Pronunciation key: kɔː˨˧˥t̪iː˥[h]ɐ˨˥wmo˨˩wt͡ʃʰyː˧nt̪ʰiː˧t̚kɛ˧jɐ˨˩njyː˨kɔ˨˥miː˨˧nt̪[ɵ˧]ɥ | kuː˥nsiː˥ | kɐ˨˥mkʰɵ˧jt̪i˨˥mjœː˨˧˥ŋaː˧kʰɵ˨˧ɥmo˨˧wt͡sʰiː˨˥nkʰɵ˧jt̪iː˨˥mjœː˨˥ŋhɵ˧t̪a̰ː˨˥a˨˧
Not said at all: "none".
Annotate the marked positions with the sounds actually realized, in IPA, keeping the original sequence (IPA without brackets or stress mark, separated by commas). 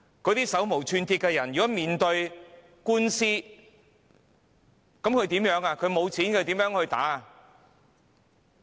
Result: s, ɵ˧